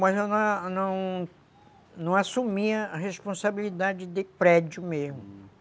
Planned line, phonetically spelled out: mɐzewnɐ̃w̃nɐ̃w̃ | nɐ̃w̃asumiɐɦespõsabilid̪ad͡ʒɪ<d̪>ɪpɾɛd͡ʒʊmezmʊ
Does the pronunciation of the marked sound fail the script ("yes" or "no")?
no